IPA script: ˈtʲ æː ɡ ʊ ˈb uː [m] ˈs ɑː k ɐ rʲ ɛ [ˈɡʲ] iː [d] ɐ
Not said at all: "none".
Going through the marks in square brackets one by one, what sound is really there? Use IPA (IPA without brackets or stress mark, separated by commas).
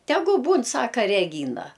n, ɡʲ, n